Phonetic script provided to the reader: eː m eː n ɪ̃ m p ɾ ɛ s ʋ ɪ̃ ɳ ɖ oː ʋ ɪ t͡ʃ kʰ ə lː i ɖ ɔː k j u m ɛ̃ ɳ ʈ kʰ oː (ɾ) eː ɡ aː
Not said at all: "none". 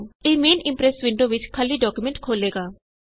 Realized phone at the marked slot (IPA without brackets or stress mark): l